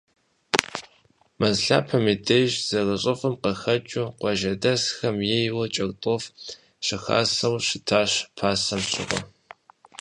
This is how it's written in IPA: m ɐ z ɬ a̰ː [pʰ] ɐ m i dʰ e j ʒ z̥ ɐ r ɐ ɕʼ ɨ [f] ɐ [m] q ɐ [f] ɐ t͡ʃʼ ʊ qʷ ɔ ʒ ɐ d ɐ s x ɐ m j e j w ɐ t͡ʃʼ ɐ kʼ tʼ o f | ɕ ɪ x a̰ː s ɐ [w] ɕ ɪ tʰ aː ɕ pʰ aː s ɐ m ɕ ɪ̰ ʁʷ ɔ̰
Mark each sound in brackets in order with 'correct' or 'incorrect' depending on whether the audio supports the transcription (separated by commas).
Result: correct, correct, correct, incorrect, correct